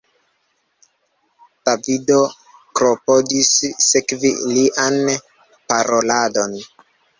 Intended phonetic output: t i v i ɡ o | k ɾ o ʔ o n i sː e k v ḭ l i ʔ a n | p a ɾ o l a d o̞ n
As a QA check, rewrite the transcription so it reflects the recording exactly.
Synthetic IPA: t a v i d o | k ɾ o p o d i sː e k v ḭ l i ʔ a n | p a ɾ o l a d o̞ n